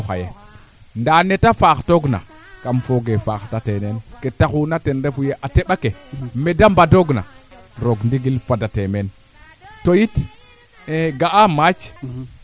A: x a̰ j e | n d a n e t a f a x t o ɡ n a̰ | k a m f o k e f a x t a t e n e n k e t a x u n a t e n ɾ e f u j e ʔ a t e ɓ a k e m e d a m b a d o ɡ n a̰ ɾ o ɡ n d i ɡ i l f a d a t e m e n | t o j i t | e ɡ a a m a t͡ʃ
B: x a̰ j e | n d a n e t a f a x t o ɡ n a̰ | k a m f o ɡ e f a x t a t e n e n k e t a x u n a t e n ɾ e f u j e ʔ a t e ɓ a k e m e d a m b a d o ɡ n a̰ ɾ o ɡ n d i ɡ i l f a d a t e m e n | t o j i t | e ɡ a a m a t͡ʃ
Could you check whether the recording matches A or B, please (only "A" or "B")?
B